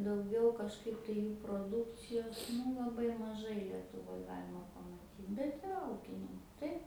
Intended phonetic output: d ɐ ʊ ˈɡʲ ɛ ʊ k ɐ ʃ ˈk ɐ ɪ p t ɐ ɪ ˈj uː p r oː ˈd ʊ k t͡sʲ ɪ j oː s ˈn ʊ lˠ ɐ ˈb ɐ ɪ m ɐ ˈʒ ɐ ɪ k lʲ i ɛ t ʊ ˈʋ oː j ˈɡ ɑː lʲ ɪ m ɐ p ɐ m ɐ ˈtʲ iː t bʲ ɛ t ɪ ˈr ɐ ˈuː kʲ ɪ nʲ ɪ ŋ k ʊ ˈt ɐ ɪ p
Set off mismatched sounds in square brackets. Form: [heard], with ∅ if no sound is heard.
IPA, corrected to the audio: d ɐ ʊ ˈɡʲ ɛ ʊ k ɐ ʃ ˈk ɐ ɪ p t ɐ ɪ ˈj uː p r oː ˈd ʊ k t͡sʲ ɪ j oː s ˈn ʊ lˠ ɐ ˈb ɐ ɪ m ɐ ˈʒ ɐ ɪ [∅] lʲ i ɛ t ʊ ˈʋ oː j ˈɡ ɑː lʲ ɪ m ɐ p ɐ m ɐ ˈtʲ iː t bʲ ɛ t ɪ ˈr ɐ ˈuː kʲ ɪ nʲ ɪ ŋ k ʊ ˈt ɐ ɪ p